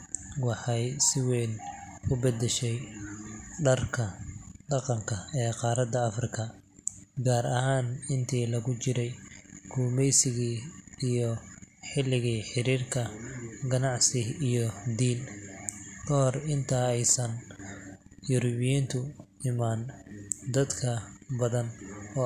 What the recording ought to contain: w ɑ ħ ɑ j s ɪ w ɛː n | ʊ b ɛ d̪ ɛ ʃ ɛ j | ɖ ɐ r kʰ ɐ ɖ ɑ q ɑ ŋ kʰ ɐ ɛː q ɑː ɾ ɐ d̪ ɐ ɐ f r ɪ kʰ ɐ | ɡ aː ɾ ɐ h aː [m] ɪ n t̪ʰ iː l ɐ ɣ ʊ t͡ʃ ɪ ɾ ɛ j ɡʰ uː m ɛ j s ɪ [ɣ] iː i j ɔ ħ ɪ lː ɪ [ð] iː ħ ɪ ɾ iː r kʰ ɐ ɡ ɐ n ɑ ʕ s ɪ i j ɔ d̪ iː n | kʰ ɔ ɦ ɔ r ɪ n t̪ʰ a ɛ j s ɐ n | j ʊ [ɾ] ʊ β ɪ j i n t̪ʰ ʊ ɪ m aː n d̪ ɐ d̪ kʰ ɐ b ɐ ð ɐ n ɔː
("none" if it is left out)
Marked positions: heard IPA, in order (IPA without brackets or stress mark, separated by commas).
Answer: n, ɣ, ɣ, ɾ